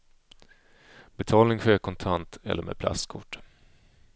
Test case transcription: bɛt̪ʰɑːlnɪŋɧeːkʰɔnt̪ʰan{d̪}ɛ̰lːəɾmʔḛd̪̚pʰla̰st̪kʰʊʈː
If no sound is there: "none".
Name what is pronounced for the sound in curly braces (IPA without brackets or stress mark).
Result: t̪